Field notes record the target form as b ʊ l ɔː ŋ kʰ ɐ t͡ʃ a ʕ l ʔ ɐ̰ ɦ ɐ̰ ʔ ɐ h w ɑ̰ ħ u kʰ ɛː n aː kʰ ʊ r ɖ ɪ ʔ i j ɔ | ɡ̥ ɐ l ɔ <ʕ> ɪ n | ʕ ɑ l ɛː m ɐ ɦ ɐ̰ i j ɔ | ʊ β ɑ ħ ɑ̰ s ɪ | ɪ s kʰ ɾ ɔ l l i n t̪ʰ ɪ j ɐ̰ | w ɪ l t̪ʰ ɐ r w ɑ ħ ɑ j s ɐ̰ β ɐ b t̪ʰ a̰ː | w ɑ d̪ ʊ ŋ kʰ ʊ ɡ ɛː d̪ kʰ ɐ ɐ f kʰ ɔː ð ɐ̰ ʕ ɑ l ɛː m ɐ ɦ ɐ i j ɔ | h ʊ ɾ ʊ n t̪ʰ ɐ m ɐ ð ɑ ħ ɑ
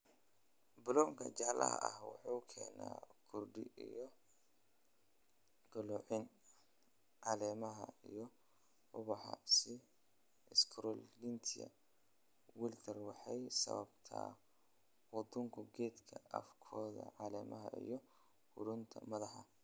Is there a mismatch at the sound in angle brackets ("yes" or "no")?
no